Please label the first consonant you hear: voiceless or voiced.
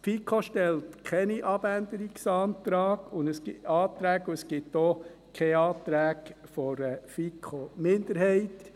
voiceless